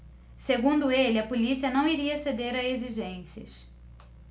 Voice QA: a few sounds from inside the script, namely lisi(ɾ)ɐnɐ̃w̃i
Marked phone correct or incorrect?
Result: incorrect